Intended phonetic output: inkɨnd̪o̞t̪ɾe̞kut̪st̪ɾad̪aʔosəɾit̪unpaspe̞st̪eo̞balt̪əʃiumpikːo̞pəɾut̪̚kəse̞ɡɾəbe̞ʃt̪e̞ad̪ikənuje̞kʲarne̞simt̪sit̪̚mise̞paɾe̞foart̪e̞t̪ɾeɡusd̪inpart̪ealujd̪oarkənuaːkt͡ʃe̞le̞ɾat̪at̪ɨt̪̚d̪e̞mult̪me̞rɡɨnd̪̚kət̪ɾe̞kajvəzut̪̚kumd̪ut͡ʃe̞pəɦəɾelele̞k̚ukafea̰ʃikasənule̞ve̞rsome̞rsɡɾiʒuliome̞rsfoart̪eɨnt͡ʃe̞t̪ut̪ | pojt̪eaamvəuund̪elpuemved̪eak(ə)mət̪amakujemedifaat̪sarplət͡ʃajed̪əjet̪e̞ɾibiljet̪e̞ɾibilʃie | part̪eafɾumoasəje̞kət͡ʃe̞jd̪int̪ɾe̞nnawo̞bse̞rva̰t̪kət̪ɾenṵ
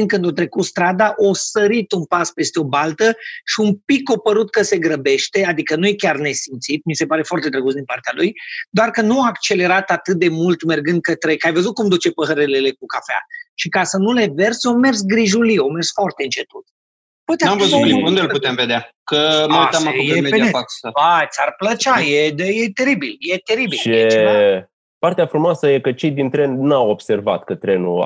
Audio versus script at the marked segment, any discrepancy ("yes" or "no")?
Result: no